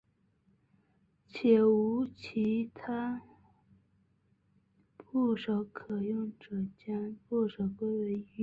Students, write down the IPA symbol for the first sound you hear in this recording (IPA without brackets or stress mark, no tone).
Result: t͡ɕʰ